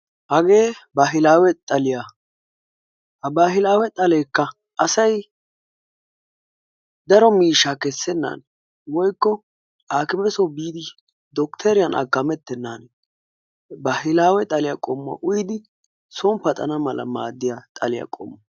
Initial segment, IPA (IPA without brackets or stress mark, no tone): h